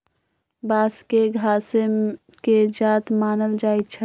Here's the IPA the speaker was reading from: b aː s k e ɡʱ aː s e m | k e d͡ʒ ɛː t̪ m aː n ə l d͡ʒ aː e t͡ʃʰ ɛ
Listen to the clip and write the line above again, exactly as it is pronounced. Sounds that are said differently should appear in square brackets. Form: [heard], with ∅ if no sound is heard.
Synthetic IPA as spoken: b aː s k e ɡʱ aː s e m | k e d͡ʒ [aː] t̪ m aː n ə l d͡ʒ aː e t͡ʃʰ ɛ